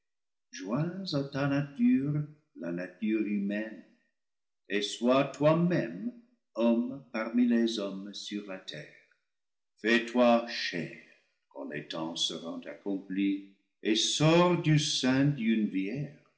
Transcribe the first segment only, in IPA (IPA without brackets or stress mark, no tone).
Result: ʒ